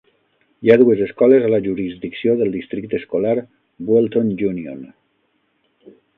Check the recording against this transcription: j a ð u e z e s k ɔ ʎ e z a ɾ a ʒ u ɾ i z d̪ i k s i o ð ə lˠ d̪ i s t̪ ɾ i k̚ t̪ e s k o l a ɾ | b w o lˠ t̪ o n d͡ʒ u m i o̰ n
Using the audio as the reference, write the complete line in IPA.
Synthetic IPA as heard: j a ð u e z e s k ɔ l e z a l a ʒ u ɾ i z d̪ i k s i o ð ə lˠ d̪ i s t̪ ɾ i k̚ t̪ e s k o l a ɾ | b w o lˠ t̪ o n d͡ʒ u n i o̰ n